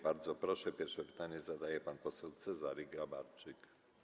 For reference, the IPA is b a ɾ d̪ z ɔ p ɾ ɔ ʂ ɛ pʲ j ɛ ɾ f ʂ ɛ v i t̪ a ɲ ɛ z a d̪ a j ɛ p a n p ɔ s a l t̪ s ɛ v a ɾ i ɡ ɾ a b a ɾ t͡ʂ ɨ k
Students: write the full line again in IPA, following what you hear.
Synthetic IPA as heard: b a ɾ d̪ z ɔ p ɾ ɔ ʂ ɛ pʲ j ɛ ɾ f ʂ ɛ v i t̪ a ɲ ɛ z a d̪ a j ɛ p a n p ɔ s ɛ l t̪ s ɛ z a ɾ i ɡ ɾ a b a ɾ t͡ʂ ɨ k